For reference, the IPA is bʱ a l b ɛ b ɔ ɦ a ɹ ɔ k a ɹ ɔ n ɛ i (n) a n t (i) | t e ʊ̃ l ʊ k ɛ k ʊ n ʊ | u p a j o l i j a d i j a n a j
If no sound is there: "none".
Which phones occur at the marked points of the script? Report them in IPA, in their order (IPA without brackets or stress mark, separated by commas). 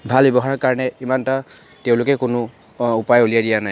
m, a